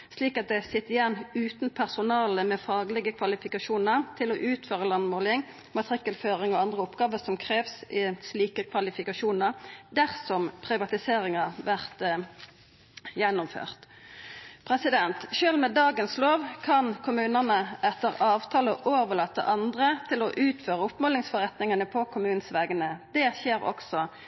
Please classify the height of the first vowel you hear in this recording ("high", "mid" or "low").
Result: high